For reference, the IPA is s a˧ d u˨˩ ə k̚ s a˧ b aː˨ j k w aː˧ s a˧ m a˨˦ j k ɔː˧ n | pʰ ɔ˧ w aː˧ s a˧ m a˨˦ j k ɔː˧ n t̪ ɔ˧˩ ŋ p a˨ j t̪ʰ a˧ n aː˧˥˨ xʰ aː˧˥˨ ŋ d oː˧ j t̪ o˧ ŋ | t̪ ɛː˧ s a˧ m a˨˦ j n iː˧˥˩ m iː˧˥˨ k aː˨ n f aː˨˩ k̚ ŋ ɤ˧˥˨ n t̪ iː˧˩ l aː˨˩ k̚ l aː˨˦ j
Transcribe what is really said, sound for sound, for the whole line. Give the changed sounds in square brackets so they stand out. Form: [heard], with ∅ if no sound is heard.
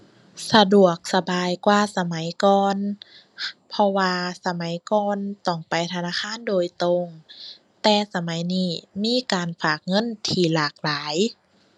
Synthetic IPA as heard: s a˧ d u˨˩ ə k̚ s a˧ b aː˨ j k w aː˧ s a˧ m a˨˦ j k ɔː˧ n | pʰ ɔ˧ w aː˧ s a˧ m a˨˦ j k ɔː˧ n t̪ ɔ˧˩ ŋ p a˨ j t̪ʰ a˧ n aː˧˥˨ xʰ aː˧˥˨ [n] d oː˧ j t̪ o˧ ŋ | t̪ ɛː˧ s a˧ m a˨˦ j n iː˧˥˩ m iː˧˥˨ k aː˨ n f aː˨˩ k̚ ŋ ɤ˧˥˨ n [t̪ʰ] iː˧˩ l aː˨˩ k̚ l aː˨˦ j